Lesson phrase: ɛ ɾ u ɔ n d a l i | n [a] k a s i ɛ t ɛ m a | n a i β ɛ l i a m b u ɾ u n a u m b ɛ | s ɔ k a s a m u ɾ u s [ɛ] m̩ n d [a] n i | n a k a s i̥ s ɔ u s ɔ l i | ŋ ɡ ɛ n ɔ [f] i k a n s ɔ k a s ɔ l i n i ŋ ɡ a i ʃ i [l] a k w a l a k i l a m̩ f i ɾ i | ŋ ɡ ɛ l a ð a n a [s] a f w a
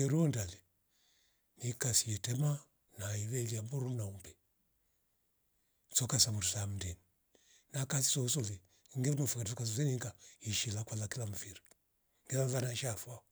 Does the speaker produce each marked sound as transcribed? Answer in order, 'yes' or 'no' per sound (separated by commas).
no, no, no, yes, yes, no